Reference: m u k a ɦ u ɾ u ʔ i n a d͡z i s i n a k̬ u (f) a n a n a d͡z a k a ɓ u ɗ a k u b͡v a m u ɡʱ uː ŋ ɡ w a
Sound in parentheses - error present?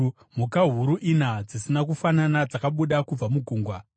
no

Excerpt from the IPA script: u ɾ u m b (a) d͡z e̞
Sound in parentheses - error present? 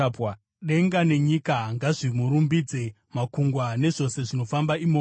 yes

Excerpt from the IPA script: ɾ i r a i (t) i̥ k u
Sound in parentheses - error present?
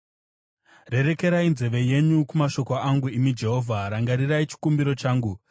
yes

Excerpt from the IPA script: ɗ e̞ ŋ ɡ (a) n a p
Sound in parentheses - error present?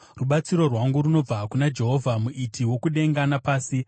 no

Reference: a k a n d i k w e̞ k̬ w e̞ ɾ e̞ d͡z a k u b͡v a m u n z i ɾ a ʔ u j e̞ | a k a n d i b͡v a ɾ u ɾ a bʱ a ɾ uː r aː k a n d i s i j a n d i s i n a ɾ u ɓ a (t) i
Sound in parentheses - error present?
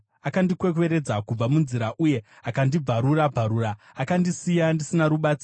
yes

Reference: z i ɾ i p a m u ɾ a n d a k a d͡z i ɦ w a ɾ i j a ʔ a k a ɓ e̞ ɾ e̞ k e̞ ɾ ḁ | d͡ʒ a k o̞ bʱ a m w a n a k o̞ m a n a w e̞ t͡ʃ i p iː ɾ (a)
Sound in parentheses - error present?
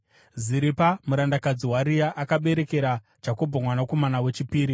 yes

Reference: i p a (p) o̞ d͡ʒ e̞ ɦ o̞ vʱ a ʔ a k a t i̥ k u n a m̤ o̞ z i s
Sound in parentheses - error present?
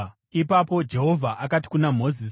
no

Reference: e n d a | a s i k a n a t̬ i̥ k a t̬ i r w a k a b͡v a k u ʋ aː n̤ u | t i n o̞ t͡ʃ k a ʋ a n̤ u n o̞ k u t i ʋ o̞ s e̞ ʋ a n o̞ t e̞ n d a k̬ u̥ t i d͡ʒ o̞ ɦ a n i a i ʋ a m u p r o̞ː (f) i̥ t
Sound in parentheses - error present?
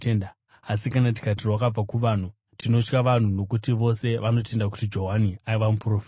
no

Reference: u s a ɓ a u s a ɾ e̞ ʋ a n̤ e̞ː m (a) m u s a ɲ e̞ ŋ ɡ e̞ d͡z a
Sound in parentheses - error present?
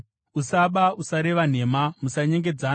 no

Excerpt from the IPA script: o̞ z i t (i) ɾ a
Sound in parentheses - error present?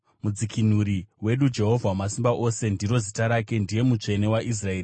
yes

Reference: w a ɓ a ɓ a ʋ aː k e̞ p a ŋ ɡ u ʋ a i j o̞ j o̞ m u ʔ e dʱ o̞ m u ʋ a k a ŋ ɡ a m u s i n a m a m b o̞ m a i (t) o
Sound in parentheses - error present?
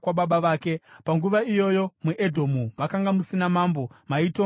no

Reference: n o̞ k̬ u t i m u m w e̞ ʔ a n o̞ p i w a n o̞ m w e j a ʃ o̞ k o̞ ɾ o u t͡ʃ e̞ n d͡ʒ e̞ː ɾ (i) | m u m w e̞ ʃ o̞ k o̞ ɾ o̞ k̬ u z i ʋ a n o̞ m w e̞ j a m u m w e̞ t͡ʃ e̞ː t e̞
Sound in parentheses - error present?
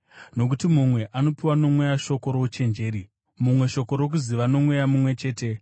no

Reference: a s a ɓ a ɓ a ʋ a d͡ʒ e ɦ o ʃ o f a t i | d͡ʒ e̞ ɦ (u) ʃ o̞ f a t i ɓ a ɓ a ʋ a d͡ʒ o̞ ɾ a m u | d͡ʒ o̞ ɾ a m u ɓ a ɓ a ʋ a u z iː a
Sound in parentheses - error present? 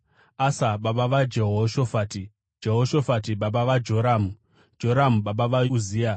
yes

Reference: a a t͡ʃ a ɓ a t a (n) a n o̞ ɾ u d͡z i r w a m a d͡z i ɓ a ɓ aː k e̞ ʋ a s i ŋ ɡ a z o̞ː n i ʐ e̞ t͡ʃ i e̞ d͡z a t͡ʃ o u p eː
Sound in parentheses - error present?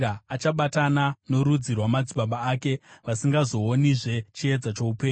no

